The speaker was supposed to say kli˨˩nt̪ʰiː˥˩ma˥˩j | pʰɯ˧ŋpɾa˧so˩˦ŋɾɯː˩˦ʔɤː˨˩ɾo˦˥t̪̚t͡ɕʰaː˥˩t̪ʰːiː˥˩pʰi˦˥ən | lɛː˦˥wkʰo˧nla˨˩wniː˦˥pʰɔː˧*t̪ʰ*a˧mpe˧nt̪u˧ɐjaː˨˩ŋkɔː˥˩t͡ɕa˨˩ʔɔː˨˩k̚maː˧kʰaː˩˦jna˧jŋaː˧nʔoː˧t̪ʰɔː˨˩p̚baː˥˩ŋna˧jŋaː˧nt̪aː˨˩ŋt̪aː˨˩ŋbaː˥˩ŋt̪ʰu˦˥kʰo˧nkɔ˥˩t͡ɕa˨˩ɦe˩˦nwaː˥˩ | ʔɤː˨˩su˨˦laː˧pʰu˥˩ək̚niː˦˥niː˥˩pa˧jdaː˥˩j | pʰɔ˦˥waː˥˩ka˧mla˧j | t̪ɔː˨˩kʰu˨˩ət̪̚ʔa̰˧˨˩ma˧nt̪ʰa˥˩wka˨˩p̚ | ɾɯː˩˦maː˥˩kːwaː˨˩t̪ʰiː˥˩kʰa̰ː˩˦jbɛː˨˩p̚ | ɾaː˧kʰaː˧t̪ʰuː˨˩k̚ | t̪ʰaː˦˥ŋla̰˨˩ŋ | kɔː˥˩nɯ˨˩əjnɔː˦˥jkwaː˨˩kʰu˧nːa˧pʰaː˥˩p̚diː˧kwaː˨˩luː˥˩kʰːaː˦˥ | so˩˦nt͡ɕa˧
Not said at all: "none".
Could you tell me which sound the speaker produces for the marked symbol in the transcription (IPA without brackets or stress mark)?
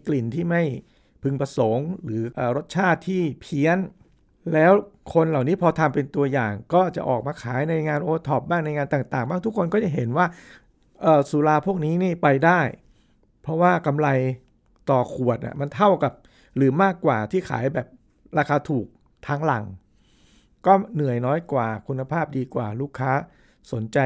t̪ʰ